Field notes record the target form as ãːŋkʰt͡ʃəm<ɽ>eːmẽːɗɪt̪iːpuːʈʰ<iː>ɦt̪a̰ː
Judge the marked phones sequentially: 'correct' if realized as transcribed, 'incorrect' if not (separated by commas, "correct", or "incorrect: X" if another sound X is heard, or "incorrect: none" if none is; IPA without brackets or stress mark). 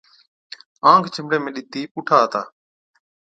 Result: correct, incorrect: aː